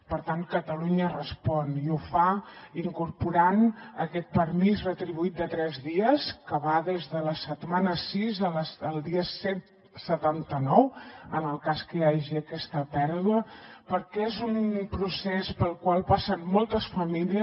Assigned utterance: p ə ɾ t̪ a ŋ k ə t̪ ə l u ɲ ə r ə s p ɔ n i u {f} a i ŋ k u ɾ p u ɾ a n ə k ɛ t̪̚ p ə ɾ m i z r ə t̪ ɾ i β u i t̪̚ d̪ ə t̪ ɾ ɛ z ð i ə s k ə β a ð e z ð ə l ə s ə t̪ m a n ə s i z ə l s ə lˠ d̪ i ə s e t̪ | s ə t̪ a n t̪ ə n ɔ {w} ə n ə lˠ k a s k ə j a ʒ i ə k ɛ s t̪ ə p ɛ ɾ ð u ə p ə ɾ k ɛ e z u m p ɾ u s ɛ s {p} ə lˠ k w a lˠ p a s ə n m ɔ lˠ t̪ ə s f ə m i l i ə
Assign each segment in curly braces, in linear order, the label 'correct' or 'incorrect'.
correct, correct, correct

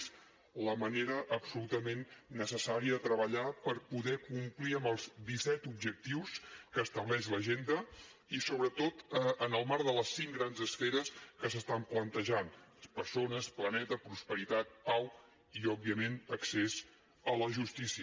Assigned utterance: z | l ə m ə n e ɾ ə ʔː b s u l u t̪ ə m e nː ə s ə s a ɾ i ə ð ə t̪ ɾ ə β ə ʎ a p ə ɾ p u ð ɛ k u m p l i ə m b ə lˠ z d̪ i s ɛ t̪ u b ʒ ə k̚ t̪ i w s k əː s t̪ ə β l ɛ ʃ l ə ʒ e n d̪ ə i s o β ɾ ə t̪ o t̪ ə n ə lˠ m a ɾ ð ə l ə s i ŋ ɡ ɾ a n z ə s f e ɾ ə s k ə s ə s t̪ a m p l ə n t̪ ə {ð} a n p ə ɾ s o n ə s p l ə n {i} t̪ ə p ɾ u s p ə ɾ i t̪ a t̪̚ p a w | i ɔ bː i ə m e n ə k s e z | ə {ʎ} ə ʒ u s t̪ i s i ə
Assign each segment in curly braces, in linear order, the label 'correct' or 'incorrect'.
incorrect: ʒ, incorrect: ɛ, incorrect: l

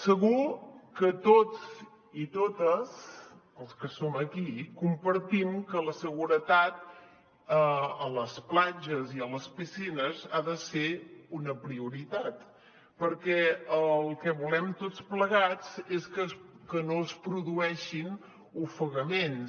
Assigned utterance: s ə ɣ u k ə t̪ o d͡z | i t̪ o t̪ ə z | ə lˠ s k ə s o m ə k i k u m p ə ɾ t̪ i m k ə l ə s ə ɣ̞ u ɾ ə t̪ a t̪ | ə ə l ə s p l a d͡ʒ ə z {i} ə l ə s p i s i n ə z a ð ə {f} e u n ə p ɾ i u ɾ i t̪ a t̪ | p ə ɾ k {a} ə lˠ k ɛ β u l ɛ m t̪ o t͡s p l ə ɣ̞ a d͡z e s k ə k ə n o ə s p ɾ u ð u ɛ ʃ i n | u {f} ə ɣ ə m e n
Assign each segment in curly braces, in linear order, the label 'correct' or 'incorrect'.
correct, incorrect: s, incorrect: ɛ, correct

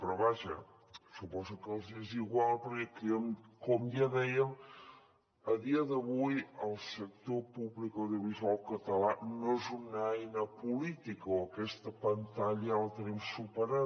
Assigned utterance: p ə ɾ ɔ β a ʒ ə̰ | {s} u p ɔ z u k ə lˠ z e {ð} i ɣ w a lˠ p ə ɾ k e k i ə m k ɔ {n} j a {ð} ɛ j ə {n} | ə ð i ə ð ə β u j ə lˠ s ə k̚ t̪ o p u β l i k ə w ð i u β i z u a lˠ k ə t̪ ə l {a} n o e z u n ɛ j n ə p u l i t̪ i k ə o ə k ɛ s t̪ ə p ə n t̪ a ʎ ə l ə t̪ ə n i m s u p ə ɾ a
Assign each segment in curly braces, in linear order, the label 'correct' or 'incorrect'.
correct, incorrect: z, incorrect: m, correct, incorrect: m, correct

